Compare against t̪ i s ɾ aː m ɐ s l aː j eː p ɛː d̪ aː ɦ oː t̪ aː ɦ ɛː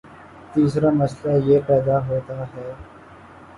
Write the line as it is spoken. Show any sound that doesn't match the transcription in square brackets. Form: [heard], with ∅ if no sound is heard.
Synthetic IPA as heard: t̪ [iː] s ɾ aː m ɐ s l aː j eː p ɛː d̪ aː ɦ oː t̪ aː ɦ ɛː